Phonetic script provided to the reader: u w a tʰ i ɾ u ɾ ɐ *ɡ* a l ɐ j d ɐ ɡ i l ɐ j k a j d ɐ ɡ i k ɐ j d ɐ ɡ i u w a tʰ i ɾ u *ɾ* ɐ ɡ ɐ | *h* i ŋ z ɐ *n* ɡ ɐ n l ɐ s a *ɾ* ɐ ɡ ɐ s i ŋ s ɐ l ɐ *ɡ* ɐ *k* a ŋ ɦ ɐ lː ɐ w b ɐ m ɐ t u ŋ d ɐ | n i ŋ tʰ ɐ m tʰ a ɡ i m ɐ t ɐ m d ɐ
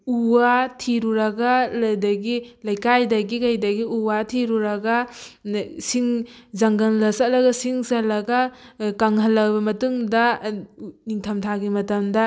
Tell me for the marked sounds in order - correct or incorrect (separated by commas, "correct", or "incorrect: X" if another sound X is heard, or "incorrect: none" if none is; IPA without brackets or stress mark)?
correct, correct, incorrect: s, incorrect: ŋ, incorrect: l, correct, correct